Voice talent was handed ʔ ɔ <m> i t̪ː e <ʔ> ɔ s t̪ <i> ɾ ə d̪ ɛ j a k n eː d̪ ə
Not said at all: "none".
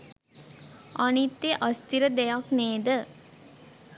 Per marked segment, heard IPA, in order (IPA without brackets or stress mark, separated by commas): n, ʔ, i